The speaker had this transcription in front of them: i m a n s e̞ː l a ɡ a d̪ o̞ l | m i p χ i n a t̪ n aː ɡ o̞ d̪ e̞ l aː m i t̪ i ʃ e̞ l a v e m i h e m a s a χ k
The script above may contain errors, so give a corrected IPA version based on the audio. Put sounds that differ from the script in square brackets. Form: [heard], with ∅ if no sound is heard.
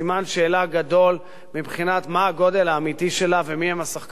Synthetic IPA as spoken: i m a n [ʃ] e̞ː l a ɡ a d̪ o̞ l | m i [b] χ i n a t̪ [m] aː ɡ o̞ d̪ e̞ l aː m i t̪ i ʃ e̞ l a v e m i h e m a s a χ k